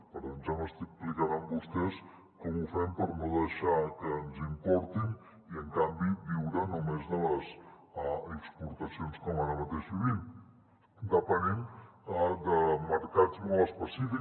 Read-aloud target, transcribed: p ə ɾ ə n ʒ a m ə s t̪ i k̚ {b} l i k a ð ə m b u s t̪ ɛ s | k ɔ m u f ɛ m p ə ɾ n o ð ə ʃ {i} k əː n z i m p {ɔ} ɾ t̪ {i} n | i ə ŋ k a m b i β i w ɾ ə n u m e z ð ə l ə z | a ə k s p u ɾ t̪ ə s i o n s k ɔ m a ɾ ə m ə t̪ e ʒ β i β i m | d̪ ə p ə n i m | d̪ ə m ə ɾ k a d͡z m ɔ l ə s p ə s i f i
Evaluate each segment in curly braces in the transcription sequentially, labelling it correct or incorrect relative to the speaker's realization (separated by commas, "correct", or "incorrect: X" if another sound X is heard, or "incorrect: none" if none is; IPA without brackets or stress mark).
incorrect: p, incorrect: a, correct, correct